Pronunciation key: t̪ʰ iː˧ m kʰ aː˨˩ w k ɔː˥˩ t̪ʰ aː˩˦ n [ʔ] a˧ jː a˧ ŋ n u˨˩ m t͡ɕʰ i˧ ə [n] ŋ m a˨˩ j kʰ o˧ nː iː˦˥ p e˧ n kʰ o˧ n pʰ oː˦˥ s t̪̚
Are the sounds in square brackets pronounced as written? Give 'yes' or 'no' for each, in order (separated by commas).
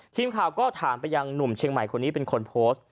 no, no